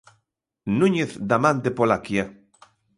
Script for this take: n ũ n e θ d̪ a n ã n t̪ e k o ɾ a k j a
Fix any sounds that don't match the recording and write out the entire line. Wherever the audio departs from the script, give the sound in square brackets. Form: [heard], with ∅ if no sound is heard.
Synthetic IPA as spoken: n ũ [ɲ] e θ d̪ a [m] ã n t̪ e [p] o [l] a k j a